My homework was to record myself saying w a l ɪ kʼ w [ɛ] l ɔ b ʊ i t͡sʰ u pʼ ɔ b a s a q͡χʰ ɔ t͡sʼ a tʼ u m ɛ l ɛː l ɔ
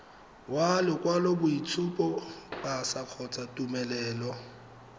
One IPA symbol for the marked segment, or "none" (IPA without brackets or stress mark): a